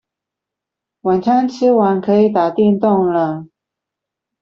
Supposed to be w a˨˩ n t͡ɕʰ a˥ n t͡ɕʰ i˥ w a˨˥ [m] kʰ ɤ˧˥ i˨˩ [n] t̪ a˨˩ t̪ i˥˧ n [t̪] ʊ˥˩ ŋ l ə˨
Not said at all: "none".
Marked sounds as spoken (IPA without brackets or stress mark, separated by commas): n, none, t̪